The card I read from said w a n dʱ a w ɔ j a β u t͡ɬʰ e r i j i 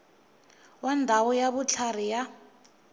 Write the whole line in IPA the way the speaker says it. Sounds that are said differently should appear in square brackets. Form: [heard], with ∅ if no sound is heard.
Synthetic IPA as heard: w a n dʱ a w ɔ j a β u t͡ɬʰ [a] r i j [a]